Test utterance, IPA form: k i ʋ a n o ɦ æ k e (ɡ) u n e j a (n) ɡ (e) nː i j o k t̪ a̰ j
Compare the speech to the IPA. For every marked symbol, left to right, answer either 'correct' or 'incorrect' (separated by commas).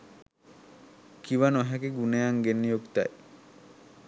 correct, incorrect, correct